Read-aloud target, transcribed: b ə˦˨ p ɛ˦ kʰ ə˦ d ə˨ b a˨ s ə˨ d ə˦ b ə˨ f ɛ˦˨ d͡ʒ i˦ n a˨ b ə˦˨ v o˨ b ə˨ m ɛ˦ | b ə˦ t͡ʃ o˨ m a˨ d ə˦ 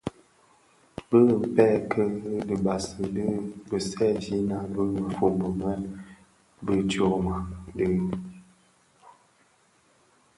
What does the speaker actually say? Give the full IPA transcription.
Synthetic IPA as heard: b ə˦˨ p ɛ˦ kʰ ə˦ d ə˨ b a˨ s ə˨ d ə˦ b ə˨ s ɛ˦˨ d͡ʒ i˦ n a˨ b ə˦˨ f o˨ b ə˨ m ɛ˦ | b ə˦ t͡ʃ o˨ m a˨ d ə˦

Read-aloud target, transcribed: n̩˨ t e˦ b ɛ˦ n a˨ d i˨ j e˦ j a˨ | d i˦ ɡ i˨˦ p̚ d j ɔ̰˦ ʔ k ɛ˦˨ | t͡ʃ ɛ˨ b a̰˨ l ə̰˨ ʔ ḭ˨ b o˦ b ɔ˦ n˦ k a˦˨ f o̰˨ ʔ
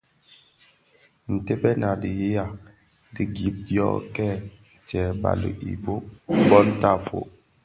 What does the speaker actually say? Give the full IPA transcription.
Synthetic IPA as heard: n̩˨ t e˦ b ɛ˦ n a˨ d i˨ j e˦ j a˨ | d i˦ ɡ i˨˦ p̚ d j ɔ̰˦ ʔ k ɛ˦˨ | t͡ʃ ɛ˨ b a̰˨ l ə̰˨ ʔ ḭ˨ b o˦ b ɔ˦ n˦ t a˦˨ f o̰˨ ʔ

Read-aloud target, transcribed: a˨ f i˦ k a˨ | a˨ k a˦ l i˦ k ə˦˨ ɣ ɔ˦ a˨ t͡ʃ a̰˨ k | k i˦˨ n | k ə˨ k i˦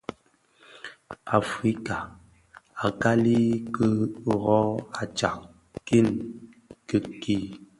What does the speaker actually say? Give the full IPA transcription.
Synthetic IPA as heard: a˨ f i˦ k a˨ | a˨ k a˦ l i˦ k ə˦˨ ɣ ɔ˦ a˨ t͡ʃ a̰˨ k | k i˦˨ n | k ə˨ k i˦

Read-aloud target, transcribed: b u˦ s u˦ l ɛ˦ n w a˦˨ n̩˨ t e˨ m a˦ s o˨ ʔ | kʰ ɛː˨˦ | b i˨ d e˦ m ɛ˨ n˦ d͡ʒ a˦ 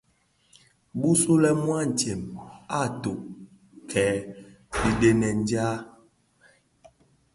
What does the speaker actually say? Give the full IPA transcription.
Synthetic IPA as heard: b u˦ s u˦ l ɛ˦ m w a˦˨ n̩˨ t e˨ m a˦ t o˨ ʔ | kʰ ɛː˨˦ | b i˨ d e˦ n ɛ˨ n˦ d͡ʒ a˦

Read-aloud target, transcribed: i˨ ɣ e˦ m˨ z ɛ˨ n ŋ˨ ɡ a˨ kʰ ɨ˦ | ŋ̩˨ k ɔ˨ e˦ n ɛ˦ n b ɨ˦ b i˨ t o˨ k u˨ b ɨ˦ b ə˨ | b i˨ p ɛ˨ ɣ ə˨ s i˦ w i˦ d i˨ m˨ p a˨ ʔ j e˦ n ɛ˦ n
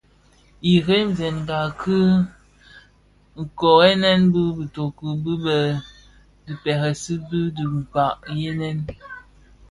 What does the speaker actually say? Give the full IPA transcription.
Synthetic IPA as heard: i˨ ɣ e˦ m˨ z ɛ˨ n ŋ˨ ɡ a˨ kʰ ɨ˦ | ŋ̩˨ k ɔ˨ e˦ n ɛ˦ n b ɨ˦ b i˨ t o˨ k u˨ b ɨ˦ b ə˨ | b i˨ p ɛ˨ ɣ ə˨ s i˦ b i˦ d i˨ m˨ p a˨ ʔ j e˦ n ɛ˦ n

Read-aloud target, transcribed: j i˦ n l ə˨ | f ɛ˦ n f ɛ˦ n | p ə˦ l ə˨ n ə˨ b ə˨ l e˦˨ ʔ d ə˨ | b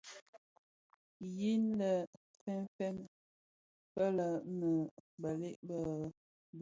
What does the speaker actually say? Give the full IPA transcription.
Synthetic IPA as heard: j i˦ n l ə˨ | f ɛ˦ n f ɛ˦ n | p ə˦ l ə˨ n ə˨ b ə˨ l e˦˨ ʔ b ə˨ | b

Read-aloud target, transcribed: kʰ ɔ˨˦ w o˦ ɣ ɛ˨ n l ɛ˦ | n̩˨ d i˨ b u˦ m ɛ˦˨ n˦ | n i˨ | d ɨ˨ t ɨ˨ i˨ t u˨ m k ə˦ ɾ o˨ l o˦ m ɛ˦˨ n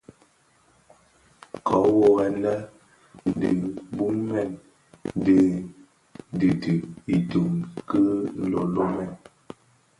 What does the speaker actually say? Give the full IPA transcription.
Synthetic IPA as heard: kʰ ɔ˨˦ w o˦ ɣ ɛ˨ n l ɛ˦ | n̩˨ d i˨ b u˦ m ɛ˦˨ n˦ | d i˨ | d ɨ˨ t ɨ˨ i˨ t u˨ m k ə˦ l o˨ l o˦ m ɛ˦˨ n

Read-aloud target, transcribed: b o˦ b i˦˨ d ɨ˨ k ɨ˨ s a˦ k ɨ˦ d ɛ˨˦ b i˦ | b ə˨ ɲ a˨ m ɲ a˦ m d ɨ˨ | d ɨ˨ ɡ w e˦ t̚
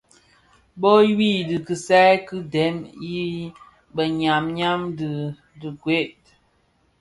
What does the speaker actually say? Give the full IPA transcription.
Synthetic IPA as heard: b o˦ w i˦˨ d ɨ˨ k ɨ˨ s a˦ k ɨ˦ d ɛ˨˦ m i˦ | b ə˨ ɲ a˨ m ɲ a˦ m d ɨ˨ | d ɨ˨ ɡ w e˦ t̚

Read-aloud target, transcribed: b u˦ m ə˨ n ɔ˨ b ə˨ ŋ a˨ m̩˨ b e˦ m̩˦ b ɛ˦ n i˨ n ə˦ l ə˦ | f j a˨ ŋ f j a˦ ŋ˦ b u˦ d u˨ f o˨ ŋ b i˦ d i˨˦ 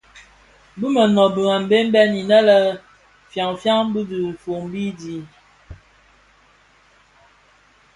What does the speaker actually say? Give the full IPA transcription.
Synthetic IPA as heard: b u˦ m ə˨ n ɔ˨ b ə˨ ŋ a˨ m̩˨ b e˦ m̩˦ b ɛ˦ n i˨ n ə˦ l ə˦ | f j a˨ ŋ f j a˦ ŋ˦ b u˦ d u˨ f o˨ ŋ b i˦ d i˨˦

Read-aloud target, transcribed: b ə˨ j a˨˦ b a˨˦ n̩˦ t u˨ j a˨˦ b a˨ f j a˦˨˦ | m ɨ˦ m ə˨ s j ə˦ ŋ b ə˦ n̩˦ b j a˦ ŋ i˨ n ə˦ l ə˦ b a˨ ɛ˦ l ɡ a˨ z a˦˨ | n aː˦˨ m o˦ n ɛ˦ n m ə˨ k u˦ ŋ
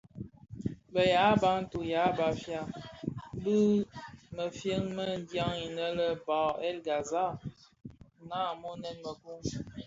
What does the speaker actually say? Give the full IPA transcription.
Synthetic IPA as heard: b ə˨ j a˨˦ b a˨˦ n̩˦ t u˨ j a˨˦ b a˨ f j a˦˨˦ | b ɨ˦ m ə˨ f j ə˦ ŋ m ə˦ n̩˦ d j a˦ ŋ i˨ n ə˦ l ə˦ b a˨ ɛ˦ l ɡ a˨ z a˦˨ | n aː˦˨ m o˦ n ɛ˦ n m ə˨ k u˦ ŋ

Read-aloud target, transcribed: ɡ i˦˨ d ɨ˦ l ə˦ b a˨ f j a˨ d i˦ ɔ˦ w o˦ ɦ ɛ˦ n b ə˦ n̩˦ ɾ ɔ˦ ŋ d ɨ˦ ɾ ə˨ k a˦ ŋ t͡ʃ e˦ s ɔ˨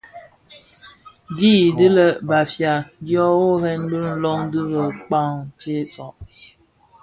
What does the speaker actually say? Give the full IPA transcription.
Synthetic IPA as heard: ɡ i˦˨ d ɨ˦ l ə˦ b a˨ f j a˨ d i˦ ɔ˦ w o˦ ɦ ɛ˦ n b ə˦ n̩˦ l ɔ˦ ŋ d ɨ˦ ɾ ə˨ k͡p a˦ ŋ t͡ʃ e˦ s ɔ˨

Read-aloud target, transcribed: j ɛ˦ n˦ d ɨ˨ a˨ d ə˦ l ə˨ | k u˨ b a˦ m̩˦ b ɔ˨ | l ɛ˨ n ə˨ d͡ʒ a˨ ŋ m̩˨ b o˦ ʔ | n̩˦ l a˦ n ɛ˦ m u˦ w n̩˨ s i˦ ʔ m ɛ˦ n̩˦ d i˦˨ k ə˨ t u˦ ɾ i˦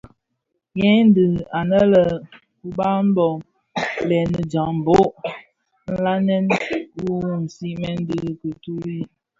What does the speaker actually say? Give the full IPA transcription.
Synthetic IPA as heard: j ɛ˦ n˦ d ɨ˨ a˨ n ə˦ l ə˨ | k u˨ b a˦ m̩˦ b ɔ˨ | l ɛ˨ n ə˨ d͡ʒ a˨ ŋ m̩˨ b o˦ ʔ | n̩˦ l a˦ n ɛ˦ n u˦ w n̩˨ s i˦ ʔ m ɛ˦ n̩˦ d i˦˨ k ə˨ t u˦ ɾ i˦

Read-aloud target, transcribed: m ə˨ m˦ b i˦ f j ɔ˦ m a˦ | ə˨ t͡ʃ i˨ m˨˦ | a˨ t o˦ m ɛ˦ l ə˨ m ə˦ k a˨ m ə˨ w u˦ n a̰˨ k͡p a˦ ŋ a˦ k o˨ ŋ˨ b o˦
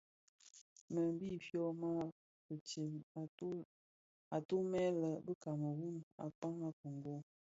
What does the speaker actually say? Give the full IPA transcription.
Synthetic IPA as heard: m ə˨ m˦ b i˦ f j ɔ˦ m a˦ | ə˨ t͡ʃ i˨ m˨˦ | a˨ t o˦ m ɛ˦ l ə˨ b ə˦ k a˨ m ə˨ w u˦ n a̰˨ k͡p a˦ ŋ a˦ k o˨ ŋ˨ ɡ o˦

